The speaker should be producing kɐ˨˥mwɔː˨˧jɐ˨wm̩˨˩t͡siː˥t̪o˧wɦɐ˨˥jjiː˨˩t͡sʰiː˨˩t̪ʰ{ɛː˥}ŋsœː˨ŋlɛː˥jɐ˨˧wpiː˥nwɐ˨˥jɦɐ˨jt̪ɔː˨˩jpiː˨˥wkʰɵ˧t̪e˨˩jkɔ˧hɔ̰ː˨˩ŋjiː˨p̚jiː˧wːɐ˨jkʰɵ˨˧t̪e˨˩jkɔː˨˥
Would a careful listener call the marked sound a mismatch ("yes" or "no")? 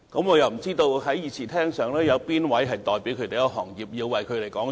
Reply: no